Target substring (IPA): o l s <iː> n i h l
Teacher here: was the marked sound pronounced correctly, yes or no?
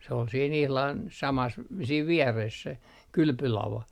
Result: yes